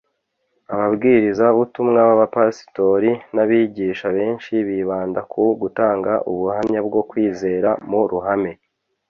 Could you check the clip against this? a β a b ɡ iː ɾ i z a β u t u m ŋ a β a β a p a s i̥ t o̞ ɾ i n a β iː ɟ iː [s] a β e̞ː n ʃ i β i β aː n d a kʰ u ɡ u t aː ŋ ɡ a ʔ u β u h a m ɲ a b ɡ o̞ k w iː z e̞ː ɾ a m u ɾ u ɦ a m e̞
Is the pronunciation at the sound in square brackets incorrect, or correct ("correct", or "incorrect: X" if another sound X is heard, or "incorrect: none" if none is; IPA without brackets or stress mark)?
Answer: incorrect: ʃ